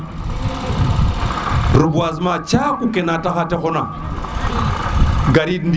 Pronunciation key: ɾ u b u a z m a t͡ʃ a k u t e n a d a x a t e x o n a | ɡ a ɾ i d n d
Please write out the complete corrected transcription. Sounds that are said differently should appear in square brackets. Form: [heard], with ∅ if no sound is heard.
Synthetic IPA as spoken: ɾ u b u a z m a t͡ʃ a k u [k] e n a [t] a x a t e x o n a | ɡ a ɾ i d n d

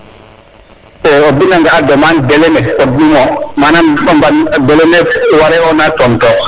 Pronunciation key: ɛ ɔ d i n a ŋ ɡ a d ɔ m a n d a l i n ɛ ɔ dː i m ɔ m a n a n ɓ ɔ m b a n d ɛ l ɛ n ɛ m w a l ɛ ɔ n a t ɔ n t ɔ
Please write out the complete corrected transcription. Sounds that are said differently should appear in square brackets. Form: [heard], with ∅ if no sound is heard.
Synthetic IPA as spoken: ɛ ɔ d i n a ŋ ɡ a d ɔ m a n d [ɛ] l [ɛ] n ɛ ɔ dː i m ɔ m a n a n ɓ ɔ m b a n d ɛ l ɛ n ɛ [∅] w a [ɾ] ɛ ɔ n a t ɔ n t ɔ

